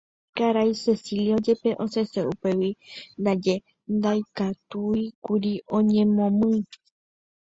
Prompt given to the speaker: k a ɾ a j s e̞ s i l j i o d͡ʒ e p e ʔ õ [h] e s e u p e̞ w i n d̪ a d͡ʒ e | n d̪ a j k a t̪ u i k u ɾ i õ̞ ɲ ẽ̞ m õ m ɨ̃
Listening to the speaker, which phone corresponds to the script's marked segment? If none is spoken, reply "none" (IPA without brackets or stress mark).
s